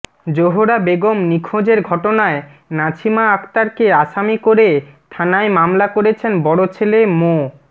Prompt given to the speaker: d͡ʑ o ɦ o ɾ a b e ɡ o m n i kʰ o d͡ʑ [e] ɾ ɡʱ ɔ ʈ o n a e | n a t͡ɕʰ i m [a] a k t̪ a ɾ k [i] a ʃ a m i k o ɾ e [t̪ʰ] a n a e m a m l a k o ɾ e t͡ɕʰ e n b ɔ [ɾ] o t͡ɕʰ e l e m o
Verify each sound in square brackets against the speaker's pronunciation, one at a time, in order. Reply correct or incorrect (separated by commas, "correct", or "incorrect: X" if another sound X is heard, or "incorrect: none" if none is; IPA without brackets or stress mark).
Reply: correct, correct, incorrect: e, correct, incorrect: ɽ